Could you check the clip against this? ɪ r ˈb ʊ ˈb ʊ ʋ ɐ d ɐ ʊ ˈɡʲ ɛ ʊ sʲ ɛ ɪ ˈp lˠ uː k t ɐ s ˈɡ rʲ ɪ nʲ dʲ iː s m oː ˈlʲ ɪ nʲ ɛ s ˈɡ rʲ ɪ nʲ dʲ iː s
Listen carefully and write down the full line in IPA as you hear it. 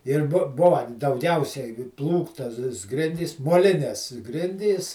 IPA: ɪ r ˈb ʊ ˈb ʊ ʋ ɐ d ɐ ʊ ˈɡʲ ɛ ʊ sʲ ɛ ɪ ˈp lˠ uː k t ɐ s ˈɡ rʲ ɪ nʲ dʲ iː s m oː ˈlʲ ɪ nʲ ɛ s ˈɡ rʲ ɪ nʲ dʲ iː s